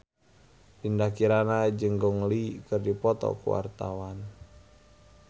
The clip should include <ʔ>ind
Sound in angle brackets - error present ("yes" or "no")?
yes